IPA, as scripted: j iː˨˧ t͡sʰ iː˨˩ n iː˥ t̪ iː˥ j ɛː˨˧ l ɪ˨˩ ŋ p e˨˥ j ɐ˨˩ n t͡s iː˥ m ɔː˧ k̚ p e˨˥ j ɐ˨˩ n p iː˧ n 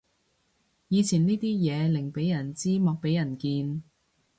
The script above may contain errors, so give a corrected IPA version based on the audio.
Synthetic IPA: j iː˨˧ t͡sʰ iː˨˩ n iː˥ t̪ iː˥ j ɛː˨˧ l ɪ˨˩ ŋ p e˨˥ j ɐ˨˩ n t͡s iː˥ m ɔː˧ k̚ p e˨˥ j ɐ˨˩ n k iː˧ n